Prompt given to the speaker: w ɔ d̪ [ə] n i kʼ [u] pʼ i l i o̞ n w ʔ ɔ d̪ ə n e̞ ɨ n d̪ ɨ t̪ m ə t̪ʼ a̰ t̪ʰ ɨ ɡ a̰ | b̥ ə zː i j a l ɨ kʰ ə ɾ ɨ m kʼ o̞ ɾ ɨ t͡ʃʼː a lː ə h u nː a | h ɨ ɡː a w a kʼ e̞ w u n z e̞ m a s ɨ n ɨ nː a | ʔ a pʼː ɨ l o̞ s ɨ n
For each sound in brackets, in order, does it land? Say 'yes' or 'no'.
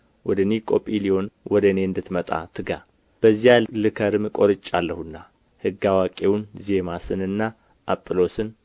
yes, no

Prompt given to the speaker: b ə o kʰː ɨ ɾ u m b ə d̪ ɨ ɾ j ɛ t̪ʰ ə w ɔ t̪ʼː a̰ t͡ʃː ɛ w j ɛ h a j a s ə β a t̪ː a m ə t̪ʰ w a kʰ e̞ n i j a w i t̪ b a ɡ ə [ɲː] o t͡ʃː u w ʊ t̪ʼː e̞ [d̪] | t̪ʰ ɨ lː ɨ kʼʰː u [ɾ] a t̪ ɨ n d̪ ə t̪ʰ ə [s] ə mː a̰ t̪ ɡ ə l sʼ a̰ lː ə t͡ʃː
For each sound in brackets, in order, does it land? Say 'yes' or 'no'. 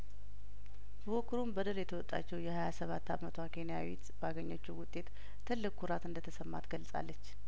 yes, no, yes, yes

